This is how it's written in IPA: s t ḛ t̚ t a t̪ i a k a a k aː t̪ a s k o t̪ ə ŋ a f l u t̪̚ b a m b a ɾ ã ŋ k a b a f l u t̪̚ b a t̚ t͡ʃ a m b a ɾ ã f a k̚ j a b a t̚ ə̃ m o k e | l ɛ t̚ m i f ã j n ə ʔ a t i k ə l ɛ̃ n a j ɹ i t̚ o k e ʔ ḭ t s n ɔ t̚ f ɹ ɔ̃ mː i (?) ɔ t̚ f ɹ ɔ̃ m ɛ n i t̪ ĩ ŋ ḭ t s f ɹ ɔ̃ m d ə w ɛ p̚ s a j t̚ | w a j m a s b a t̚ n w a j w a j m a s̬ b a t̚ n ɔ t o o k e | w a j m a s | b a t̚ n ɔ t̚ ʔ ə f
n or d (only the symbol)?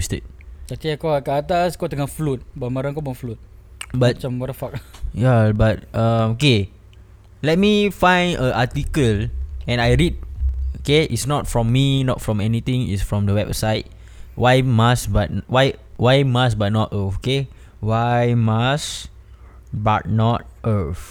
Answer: n